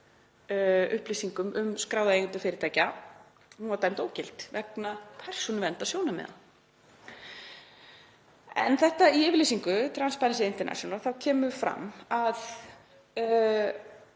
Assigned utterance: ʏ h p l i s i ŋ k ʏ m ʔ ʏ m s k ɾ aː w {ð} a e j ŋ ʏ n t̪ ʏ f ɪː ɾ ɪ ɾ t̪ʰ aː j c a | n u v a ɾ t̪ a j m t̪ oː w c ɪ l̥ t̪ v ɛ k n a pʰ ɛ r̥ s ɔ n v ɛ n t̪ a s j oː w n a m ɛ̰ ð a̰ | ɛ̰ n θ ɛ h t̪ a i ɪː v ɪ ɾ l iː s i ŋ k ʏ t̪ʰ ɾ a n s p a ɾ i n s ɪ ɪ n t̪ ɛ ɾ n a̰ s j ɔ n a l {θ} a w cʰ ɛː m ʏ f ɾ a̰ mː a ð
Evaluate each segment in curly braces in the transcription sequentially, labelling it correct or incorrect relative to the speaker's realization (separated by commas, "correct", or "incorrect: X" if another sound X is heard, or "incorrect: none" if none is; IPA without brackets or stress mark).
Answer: correct, correct